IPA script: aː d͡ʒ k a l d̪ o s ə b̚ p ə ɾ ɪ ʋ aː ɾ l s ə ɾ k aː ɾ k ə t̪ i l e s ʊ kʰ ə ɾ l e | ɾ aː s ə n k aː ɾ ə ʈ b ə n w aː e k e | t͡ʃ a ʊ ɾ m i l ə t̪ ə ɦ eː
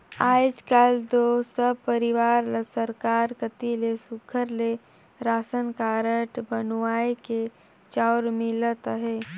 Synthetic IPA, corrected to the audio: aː d͡ʒ k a l d̪ o s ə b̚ p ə ɾ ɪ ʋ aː ɾ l s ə ɾ k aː ɾ k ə t̪ i l e s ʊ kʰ ə ɾ l e | ɾ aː s ə n k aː ɾ ə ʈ b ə n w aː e k e | t͡ʃ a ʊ ɾ m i l ə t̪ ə ɦ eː